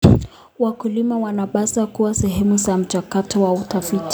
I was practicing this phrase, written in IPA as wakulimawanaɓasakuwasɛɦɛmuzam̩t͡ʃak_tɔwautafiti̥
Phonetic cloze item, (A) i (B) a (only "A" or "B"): B